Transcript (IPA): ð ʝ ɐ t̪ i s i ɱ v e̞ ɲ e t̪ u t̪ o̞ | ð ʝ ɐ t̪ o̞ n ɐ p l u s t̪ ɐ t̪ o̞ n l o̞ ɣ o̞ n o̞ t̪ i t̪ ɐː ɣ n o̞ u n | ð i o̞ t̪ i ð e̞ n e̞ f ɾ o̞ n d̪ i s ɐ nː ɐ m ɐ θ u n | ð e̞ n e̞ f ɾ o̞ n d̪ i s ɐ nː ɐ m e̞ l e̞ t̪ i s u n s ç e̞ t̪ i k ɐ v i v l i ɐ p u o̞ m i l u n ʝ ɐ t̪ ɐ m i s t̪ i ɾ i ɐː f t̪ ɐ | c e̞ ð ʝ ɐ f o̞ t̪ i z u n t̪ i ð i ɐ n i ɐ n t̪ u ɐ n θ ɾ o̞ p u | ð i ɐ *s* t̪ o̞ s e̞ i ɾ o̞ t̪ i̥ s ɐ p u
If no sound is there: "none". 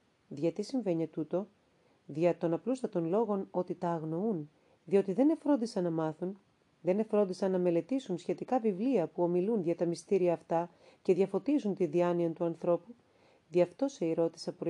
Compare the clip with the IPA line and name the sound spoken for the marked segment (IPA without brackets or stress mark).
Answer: f